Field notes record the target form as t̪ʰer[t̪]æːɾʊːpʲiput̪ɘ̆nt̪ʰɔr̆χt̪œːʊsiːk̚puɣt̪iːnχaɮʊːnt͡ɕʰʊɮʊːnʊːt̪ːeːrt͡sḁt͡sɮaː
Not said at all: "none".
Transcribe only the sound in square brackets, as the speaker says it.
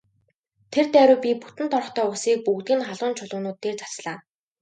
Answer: t̪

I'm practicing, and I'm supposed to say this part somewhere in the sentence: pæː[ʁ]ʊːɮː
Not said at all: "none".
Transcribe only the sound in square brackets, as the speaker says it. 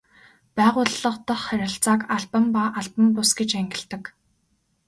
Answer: ʁ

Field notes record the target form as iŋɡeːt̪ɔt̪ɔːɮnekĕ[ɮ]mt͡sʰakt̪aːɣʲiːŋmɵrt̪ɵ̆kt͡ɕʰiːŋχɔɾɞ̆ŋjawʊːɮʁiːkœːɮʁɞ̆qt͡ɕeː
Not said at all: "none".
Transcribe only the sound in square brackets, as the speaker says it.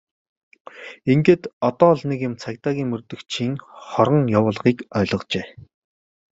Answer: none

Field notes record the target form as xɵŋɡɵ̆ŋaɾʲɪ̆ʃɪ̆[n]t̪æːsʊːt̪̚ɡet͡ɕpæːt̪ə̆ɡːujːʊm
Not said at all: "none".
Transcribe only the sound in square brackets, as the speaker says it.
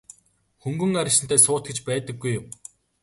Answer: n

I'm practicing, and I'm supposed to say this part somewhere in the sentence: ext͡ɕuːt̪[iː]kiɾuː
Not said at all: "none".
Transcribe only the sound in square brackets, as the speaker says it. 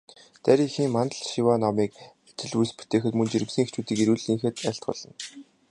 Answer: iː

